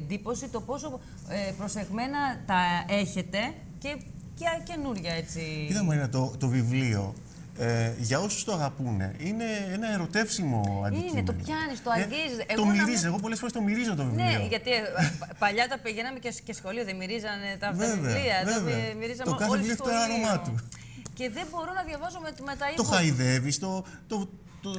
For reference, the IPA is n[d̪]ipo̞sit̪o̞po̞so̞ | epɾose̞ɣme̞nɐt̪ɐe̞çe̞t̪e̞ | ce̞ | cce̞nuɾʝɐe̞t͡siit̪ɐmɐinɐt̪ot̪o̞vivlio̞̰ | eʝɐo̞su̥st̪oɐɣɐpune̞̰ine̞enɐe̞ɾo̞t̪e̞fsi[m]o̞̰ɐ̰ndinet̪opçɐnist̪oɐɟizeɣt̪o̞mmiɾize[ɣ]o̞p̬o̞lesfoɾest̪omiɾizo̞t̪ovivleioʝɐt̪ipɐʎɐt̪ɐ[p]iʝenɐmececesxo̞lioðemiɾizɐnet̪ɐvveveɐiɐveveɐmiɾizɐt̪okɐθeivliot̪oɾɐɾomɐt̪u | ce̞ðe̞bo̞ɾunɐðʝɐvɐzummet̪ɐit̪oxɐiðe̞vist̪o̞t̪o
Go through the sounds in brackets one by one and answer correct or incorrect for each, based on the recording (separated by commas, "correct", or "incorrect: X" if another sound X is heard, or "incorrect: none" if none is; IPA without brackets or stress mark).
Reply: correct, correct, correct, correct